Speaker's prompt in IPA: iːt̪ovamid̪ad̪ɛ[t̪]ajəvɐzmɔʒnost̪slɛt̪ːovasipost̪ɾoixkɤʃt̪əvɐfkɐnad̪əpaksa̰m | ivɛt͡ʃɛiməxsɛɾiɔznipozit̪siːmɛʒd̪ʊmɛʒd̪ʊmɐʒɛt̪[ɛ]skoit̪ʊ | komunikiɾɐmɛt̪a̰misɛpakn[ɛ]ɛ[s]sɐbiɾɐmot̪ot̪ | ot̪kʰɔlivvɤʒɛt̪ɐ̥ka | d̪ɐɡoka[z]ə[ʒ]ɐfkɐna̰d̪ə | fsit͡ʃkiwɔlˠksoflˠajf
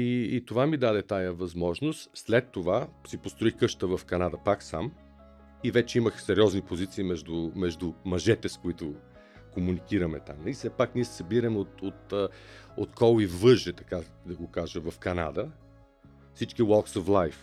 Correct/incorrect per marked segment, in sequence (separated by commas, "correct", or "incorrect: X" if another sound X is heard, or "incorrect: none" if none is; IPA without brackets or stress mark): correct, correct, incorrect: i, correct, incorrect: ʒ, incorrect: v